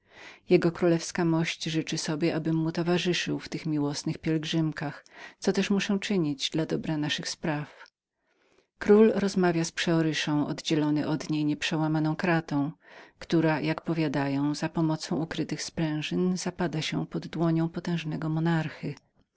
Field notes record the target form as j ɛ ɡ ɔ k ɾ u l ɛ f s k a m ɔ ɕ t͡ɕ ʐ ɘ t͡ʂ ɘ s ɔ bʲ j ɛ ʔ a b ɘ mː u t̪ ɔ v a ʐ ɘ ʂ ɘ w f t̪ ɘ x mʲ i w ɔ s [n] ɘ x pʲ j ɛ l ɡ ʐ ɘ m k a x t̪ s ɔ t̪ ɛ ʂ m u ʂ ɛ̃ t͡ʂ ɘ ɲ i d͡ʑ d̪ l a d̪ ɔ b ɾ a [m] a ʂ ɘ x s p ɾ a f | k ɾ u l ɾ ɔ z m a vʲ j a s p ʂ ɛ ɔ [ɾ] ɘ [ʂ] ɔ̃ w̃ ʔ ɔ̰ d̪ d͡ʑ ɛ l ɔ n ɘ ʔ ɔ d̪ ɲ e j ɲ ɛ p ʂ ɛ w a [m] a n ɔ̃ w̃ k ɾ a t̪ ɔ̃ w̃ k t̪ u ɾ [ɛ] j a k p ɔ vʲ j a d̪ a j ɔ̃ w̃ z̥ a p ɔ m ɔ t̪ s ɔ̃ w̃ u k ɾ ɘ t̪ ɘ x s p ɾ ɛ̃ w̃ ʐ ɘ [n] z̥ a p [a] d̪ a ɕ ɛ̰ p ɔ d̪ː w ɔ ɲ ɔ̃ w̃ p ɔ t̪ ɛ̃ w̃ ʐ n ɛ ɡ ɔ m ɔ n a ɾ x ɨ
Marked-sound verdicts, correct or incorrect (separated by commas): correct, incorrect, correct, correct, correct, incorrect, correct, correct